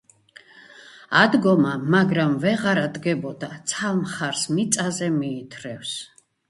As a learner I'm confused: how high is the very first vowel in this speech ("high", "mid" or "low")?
low